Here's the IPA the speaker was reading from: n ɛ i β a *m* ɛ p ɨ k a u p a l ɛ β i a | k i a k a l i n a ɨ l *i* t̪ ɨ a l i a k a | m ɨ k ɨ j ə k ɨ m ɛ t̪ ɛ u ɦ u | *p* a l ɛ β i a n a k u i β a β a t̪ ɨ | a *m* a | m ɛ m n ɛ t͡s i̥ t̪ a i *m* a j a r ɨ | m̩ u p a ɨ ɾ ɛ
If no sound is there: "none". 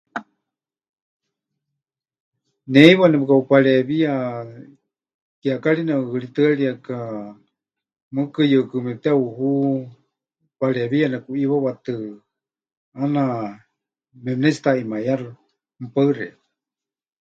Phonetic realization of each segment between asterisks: n, i, p, n, m

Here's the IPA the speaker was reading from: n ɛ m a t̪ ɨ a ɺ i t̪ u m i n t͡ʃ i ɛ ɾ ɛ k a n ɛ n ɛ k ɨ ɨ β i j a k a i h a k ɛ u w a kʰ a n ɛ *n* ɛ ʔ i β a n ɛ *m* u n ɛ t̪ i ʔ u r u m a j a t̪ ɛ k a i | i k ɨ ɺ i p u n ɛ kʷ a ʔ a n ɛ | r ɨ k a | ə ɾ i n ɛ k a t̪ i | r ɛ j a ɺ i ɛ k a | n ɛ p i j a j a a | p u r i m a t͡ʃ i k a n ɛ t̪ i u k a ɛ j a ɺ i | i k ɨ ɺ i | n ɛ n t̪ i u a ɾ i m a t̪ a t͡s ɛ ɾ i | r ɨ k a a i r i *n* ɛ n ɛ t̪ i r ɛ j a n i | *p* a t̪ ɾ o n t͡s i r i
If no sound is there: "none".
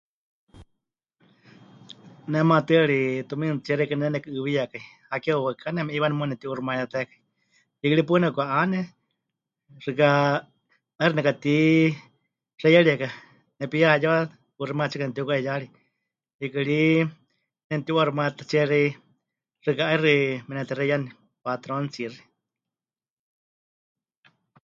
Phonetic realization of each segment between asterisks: m, m, m, p

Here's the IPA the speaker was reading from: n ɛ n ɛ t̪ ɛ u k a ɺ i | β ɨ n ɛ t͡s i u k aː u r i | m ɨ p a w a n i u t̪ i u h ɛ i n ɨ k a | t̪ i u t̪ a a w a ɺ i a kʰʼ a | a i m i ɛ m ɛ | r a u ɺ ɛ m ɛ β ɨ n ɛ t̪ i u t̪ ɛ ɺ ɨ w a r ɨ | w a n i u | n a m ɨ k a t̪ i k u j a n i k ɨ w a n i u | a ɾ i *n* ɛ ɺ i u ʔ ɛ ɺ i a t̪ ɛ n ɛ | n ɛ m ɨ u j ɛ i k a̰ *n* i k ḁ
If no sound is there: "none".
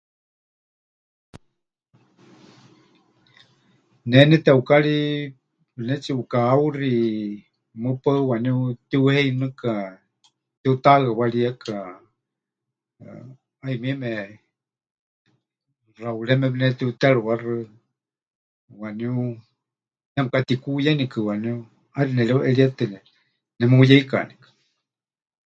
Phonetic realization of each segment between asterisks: n, n

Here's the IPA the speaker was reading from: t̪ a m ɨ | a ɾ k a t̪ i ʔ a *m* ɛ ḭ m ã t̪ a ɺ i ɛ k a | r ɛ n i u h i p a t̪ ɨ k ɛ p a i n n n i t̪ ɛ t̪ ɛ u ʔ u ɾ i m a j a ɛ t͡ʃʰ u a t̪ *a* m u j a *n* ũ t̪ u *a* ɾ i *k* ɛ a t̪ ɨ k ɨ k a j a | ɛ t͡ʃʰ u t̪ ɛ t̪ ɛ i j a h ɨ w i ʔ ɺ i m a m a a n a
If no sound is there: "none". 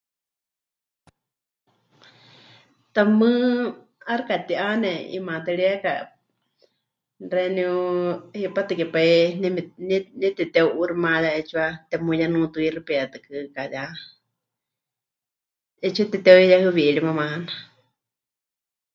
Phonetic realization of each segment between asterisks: n, ɛ, n, i, p

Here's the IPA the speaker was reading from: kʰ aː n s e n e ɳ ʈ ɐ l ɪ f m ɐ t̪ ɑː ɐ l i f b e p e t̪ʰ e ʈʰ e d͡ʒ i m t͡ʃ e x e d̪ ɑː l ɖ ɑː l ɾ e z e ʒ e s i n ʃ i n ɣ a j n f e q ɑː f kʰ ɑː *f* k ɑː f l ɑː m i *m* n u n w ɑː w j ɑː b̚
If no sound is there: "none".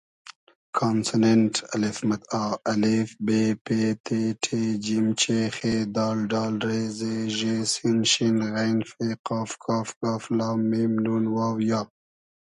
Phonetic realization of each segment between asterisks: f, m

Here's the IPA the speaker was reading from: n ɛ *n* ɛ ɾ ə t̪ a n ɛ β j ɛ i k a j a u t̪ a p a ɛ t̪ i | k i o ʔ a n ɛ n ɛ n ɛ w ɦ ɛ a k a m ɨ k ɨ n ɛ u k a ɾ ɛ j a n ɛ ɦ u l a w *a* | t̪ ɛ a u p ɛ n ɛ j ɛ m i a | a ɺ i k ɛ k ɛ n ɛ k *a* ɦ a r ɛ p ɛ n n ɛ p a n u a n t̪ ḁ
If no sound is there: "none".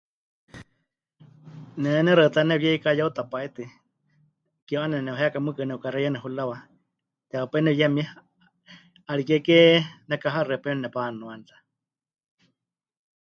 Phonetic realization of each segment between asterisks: n, a, a

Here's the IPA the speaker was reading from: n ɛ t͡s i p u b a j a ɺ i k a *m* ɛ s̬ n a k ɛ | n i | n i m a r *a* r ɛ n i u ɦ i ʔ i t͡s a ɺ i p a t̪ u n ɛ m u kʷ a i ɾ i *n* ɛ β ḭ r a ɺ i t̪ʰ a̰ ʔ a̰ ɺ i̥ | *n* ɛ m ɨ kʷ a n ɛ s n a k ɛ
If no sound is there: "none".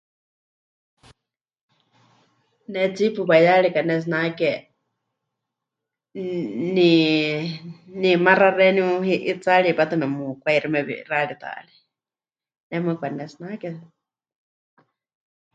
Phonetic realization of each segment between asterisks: n, a, m, n

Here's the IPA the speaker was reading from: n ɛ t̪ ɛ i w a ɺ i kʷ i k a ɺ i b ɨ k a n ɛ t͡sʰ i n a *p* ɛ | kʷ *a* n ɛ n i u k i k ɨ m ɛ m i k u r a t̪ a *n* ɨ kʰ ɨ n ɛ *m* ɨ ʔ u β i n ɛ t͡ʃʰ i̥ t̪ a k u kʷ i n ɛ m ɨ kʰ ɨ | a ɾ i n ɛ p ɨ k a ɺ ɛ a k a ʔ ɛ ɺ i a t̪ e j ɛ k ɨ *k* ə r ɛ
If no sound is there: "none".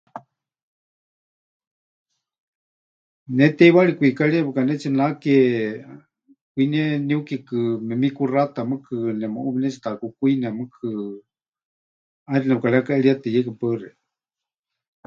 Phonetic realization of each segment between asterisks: k, i, m, m, p

